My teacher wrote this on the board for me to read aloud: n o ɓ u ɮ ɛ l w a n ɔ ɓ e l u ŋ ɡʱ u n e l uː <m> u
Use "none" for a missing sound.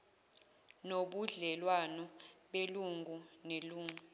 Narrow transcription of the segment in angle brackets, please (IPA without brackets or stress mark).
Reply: ŋ